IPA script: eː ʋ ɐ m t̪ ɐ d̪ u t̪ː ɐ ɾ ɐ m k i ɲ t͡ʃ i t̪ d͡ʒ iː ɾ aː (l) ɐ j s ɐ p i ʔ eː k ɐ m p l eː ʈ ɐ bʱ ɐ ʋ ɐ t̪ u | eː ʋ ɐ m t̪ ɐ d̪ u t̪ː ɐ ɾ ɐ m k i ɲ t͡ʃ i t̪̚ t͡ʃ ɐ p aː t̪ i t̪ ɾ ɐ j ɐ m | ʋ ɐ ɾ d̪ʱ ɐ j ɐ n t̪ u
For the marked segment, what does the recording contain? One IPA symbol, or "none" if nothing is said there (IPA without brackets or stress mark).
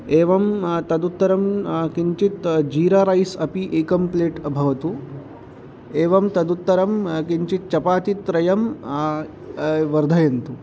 ɾ